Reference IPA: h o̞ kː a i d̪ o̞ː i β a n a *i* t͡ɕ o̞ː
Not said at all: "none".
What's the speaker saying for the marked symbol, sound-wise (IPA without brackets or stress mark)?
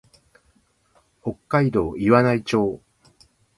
i